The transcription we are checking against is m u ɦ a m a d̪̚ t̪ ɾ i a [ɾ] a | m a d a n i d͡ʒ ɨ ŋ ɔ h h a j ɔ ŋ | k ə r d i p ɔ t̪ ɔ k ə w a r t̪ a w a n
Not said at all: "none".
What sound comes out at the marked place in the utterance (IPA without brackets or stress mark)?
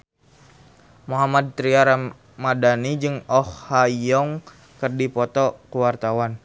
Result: ɾ